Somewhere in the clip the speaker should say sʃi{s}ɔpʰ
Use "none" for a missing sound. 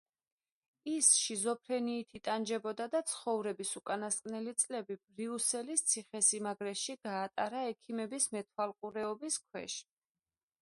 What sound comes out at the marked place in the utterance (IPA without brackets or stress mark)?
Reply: z